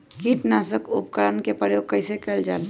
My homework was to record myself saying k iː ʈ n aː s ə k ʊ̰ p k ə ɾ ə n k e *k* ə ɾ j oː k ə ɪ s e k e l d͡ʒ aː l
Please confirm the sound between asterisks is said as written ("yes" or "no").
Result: no